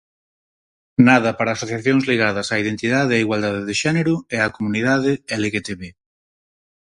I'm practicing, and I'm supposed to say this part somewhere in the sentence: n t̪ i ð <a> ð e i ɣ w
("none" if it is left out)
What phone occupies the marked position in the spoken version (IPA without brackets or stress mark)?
a